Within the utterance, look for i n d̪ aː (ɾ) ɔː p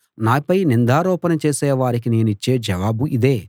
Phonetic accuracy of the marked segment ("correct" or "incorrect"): correct